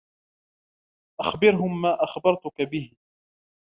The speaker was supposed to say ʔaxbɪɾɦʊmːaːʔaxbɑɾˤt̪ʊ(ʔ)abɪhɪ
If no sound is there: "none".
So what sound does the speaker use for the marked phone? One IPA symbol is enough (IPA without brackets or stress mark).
k